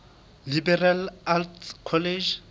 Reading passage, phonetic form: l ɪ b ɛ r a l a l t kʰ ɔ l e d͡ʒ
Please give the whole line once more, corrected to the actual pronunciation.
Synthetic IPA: l i b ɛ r a l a l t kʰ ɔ l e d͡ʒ